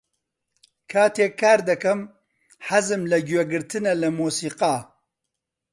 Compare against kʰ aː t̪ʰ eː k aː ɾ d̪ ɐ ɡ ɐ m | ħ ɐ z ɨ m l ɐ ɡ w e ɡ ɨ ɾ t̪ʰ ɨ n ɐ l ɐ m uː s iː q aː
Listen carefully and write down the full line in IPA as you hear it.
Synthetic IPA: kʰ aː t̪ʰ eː k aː ɾ d̪ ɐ k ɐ m | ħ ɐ z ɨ m l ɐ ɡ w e ɡ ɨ ɾ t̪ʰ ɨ n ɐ l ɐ m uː s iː q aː